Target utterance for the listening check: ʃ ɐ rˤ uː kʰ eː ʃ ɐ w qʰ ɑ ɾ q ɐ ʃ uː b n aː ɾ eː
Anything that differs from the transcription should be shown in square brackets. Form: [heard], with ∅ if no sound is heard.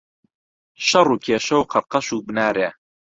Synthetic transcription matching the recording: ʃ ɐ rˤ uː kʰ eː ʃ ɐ w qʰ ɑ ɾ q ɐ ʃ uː b n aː ɾ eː